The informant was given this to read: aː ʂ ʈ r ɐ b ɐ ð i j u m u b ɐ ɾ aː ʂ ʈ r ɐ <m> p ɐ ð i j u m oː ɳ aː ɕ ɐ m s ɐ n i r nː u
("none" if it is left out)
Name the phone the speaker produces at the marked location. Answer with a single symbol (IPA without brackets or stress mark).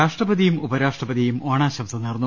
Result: none